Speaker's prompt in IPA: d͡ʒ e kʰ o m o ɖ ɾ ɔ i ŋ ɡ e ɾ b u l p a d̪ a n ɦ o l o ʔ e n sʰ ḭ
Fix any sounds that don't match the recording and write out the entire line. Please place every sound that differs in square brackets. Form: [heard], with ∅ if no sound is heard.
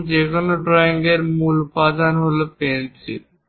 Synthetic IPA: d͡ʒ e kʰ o [n] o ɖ ɾ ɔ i ŋ ɡ e ɾ [m] u l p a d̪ a n ɦ o l o [p] e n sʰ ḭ